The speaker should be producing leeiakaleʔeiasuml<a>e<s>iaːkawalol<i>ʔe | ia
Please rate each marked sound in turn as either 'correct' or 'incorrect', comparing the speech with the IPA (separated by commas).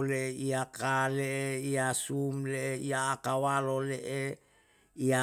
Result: incorrect, incorrect, incorrect